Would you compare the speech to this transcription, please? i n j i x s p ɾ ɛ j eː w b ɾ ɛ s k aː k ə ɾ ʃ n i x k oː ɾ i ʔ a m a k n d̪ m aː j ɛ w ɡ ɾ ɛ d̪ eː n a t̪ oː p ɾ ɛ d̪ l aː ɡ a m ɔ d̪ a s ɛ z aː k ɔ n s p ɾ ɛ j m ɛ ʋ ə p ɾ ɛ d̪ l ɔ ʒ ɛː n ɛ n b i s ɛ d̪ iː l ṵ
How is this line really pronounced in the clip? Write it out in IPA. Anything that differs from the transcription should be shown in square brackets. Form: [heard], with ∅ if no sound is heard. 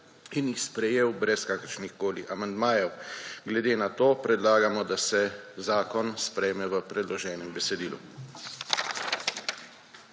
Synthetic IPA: i n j i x s p ɾ ɛ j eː w b ɾ ɛ s k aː k ə ɾ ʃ n i x k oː [l] i ʔ a m a [∅] n d̪ m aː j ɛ w ɡ [l] ɛ d̪ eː n a t̪ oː p ɾ ɛ d̪ l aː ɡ a m ɔ d̪ a s ɛ z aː k ɔ n s p ɾ ɛ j m ɛ ʋ ə p ɾ ɛ d̪ l ɔ ʒ ɛː n ɛ [m] b [ɛ] s ɛ d̪ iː l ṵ